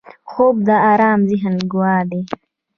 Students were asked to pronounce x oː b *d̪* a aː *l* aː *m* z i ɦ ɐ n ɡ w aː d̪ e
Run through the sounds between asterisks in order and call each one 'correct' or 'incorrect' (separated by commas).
correct, incorrect, correct